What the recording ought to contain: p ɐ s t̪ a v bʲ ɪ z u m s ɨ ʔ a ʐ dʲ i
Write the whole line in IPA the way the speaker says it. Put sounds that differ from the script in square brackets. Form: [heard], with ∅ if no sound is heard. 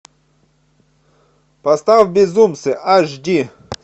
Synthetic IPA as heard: p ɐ s t̪ a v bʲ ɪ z u m s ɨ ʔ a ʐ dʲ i